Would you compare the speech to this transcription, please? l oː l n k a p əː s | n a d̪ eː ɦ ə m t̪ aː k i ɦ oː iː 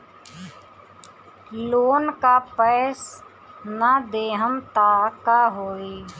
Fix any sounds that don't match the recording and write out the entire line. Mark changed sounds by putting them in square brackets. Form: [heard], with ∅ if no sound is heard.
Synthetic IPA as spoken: l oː [∅] n k a p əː s | n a d̪ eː ɦ ə m t̪ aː k [a] ɦ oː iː